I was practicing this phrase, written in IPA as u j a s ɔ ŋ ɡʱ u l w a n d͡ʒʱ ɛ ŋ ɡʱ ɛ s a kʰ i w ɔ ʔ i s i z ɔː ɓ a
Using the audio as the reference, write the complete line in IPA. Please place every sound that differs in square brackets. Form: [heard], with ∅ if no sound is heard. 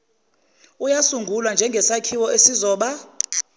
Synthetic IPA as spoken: u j a s [u] ŋ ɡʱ u l w a n d͡ʒʱ ɛ ŋ ɡʱ ɛ s a kʰ i w ɔ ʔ [e] s i z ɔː ɓ a